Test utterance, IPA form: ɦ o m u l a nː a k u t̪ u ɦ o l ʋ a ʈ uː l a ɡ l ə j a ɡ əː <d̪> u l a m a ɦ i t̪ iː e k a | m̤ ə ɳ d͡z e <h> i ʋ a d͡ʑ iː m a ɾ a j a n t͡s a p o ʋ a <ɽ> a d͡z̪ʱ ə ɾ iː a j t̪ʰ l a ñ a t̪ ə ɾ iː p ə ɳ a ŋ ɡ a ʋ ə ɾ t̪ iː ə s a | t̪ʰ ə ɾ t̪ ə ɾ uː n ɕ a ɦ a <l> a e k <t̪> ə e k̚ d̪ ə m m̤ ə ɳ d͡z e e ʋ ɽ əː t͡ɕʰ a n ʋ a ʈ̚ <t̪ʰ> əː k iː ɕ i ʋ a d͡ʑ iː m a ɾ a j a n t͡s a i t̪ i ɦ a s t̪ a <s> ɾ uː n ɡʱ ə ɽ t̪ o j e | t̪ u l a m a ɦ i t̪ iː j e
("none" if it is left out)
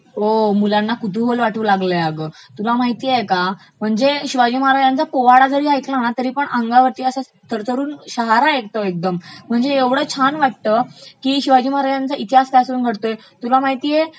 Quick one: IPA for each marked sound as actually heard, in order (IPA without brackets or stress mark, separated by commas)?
t̪, ɕ, ɽ, ɾ, t̪, t̪, s